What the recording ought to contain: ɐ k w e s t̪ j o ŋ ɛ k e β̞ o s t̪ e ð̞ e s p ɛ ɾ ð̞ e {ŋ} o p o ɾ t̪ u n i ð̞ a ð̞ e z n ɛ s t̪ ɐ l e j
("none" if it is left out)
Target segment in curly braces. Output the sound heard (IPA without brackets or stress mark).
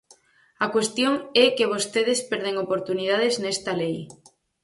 ŋ